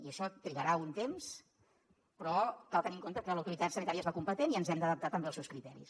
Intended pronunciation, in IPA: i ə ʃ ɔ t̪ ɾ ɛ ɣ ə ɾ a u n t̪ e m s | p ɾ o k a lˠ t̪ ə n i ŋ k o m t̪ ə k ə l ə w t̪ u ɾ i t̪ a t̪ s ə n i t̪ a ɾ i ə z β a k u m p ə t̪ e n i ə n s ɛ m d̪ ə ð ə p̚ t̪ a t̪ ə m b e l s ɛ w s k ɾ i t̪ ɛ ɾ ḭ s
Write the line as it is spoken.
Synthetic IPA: i ə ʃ ɔ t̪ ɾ i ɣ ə ɾ a u n t̪ e m s | p ɾ ɔ k a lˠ t̪ ə n i ŋ k o n t̪ ə k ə l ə w t̪ u ɾ i t̪ a t̪ s ə n i t̪ a ɾ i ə z β a k u m p ə t̪ e n i ə n z ɛ m d̪ ə ð ə p̚ t̪ a t̪ ə m b e l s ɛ w s k ɾ i t̪ ɛ ɾ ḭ s